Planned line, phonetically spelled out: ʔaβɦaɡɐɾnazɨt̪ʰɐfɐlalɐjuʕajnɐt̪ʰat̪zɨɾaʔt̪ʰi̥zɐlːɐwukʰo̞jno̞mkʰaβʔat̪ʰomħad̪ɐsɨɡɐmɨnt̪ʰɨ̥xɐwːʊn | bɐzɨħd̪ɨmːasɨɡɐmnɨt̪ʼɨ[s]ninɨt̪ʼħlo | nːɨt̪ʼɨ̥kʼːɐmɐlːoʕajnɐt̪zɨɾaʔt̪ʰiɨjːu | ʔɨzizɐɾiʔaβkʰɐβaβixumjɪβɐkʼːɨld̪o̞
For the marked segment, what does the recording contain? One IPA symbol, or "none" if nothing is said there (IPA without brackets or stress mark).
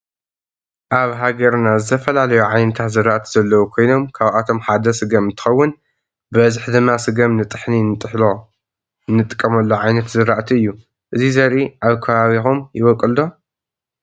ħ